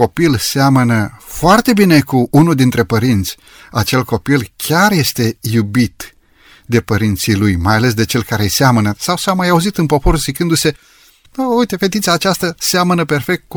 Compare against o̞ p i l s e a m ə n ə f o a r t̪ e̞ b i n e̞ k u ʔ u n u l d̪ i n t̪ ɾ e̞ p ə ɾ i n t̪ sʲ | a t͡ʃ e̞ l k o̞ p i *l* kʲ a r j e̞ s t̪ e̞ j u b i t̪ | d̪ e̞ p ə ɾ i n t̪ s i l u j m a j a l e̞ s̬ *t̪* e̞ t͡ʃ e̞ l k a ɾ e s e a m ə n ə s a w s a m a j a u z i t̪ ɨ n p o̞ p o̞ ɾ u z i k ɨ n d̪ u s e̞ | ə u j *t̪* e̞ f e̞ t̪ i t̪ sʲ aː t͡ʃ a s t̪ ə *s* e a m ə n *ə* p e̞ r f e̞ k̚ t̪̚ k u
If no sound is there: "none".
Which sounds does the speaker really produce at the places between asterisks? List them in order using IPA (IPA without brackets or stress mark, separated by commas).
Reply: l, d̪, t̪, s, ə